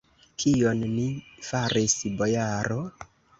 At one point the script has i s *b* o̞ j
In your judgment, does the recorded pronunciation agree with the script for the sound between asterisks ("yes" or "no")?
yes